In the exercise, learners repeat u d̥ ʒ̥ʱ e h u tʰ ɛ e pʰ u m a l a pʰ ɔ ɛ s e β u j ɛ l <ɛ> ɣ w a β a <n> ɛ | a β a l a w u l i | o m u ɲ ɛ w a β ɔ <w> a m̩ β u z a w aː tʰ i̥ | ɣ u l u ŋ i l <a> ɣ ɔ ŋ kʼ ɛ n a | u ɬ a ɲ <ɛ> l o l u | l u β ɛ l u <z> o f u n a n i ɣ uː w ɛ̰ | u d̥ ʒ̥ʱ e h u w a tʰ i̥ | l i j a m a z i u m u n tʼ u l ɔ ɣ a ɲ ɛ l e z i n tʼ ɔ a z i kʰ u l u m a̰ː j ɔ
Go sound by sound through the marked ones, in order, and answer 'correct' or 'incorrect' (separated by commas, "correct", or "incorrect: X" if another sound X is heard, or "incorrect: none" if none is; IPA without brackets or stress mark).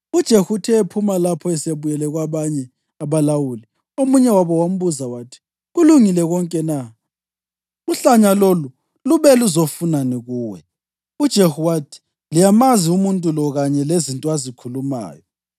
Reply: correct, incorrect: ɲ, correct, incorrect: ɛ, incorrect: a, correct